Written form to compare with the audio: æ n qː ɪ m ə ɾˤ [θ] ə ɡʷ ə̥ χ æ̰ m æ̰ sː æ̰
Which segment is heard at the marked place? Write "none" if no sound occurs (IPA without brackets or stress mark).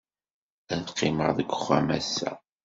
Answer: ð